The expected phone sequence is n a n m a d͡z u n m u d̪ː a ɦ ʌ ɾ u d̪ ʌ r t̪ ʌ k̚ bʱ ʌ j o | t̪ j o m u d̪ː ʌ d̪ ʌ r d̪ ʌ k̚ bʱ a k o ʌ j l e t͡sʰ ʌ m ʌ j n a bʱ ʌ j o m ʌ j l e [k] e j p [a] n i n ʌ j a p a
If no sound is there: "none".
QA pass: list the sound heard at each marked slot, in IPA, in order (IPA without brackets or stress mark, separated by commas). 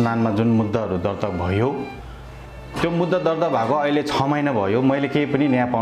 k, ʌ